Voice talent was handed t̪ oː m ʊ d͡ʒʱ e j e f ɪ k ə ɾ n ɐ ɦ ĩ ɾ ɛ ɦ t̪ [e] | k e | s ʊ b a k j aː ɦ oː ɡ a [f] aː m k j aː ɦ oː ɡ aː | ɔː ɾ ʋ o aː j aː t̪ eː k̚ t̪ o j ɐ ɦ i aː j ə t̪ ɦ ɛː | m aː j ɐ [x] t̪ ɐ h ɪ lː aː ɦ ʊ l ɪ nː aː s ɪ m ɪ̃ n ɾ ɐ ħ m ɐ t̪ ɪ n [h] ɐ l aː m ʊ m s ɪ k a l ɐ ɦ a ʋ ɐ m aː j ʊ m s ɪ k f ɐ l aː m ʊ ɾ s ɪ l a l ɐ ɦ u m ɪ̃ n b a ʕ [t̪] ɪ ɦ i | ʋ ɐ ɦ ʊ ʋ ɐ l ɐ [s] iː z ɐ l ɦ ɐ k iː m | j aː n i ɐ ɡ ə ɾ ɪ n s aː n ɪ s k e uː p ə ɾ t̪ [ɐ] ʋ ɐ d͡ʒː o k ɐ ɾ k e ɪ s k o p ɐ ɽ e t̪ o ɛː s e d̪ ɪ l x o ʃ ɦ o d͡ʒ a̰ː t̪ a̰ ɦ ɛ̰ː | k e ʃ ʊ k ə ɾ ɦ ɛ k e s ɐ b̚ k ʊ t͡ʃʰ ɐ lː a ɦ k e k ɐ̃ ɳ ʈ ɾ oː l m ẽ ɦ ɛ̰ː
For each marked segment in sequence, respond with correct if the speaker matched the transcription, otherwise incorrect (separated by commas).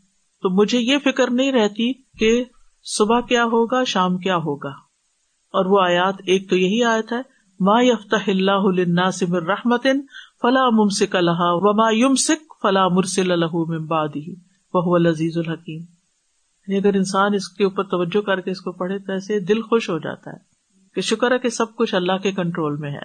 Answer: incorrect, incorrect, incorrect, incorrect, incorrect, incorrect, correct